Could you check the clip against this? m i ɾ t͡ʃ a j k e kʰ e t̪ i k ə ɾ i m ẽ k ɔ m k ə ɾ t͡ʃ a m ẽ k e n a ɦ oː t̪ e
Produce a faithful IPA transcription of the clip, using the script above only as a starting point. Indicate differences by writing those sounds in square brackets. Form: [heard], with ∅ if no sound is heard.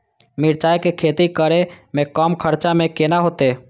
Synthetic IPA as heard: m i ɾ t͡ʃ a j k e kʰ e t̪ i k ə ɾ [e] m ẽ k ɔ m [kʰ] ə ɾ t͡ʃ a m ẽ k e n a ɦ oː t̪ e